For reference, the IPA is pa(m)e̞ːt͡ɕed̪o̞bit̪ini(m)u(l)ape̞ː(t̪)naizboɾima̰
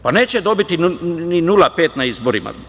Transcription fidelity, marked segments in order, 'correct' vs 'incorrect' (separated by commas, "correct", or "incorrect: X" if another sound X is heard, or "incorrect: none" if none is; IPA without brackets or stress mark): incorrect: n, incorrect: n, correct, correct